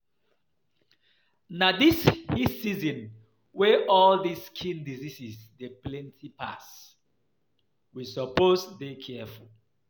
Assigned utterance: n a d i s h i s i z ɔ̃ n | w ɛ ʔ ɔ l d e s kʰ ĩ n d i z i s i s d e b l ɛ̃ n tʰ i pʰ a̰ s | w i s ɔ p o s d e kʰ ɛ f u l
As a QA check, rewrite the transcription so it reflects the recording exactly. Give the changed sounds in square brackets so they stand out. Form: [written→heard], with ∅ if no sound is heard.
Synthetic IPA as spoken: n a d i s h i s i z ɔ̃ n | w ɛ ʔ ɔ l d [e→i] s kʰ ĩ n d i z i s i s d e [b→p] l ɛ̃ n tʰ i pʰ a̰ s | w i s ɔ p o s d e kʰ ɛ f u l

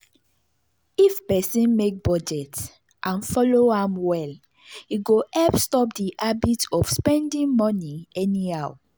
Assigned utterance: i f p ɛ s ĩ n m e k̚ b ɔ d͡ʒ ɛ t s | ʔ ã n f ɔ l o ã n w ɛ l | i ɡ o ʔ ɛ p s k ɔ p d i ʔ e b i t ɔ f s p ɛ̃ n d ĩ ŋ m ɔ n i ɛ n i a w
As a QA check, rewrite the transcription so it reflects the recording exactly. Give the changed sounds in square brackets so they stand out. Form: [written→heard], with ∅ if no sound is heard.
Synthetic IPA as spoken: i f p ɛ s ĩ n m e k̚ b ɔ d͡ʒ ɛ t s | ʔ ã n f ɔ l o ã [n→m] w ɛ l | i ɡ o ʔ ɛ p s [k→t] ɔ p d i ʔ [e→a] b i t ɔ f s p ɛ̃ n d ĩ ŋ m ɔ n i ɛ n i a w

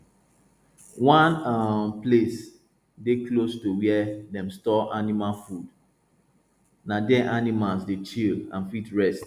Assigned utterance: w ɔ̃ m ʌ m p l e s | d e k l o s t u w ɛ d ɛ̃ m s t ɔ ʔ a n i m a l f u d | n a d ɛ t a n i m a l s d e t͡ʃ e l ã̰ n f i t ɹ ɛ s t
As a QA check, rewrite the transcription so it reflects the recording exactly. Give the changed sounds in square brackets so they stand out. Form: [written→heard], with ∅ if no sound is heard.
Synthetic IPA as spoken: w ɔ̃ [m→n] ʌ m p l e s | d e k l o s t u w ɛ d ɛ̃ m s t ɔ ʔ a n i m a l f u d | n a d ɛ [t→ʔ] a n i m a l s d e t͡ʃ [e→i] l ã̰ n f i t ɹ ɛ s t

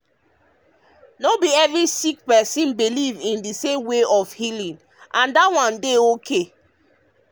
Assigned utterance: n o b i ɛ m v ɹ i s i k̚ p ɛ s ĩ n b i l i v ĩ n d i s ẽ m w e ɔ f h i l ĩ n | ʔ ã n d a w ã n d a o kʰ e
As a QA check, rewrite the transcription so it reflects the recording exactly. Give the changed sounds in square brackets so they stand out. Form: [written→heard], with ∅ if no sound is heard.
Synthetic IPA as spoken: n o b i ɛ [m→∅] v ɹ i s i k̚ p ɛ s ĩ n b i l i v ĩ n d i s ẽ m w e ɔ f h i l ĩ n | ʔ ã n d a w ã n d [a→e] o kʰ e

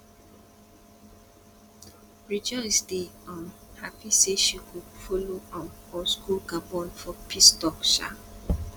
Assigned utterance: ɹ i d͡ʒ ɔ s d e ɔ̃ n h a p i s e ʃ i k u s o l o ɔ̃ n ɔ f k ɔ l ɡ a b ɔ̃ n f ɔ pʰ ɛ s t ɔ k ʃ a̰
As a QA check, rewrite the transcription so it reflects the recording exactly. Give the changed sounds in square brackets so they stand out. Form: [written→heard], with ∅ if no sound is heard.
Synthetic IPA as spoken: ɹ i d͡ʒ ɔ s d e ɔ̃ n h a p i s e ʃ i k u [s→f] o l o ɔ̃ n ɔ [f→s] k [ɔ→u] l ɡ a b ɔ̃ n f ɔ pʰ [ɛ→i] s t ɔ k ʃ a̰

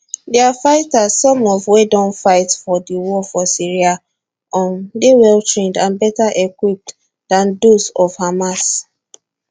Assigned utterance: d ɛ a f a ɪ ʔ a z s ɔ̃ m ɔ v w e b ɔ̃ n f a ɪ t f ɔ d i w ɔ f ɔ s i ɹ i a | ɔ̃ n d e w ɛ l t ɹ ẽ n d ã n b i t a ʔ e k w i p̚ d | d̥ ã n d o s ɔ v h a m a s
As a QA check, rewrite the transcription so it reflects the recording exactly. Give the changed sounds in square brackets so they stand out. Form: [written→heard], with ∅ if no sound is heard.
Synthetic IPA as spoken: d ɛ a f a ɪ [ʔ→t] a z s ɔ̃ m ɔ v w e [b→d] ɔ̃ n f a ɪ t f ɔ d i w ɔ f ɔ s i ɹ i a | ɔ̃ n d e w ɛ l t ɹ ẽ n d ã n b [i→ɛ] t a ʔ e k w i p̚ [d→t] | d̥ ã n d o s ɔ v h a m a s

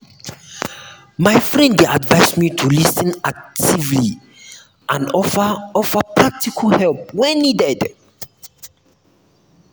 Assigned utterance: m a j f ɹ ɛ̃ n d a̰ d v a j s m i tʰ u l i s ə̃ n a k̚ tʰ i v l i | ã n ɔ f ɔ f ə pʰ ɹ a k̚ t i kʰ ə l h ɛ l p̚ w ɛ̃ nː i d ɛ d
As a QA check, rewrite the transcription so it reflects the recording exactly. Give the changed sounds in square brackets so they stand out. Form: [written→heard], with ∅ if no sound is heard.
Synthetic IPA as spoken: m a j f ɹ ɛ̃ n d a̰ d v a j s m i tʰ u l i s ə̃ n a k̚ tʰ i v l i | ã n ɔ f ɔ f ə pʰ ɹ a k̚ t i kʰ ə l h ɛ l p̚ w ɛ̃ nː i d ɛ d

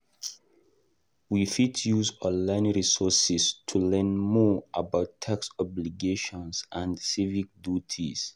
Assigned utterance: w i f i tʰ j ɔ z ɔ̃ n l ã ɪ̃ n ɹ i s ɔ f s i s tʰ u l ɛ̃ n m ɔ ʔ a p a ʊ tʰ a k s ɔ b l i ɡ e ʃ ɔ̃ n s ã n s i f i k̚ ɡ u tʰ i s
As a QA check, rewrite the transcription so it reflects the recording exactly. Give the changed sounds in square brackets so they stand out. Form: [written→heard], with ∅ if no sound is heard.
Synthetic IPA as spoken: w i f i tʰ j [ɔ→u] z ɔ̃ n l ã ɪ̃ n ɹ i s ɔ [f→∅] s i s tʰ u l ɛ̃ n m ɔ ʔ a [p→b] a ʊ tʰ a k s ɔ b l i ɡ e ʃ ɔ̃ n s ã n s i [f→v] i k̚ [ɡ→d] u tʰ i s

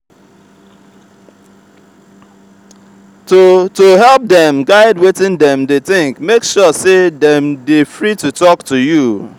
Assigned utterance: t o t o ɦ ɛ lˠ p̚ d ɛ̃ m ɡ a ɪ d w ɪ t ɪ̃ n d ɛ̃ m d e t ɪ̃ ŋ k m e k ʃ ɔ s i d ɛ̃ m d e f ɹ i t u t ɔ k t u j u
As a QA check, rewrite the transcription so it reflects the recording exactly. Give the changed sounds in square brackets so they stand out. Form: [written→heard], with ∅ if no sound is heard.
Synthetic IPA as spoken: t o t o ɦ ɛ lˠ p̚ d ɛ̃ m ɡ a ɪ d w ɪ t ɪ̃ n d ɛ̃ m d e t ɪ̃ ŋ k m e k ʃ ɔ s [i→e] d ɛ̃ m d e f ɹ i t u t ɔ k t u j u

